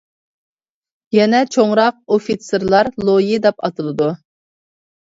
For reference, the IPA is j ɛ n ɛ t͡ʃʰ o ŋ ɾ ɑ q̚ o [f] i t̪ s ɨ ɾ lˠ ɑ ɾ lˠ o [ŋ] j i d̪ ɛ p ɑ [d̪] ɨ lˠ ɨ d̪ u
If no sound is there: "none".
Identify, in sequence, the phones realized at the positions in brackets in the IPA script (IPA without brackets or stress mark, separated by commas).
f, none, t̪